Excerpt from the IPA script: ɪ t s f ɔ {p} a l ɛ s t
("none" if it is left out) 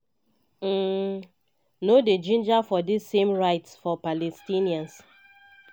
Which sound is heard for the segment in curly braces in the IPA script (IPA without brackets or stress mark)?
p